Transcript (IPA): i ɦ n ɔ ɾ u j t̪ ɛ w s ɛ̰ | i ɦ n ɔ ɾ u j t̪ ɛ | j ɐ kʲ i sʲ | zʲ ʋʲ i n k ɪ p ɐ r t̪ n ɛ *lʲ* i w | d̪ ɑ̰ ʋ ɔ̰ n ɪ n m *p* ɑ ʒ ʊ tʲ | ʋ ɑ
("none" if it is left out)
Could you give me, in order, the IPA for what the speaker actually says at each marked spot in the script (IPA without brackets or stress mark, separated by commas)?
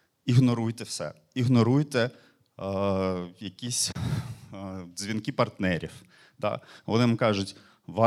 ɾʲ, k